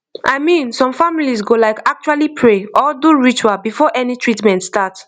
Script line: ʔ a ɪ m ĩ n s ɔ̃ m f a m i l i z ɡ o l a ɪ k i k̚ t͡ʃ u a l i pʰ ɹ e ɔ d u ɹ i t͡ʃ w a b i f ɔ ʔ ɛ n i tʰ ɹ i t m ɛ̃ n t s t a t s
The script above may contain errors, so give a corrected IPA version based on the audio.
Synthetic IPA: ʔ a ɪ m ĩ n s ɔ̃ m f a m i l i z ɡ o l a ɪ k a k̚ t͡ʃ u a l i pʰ ɹ e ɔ d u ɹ i t͡ʃ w a b i f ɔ ʔ ɛ n i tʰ ɹ i t m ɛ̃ n t s t a t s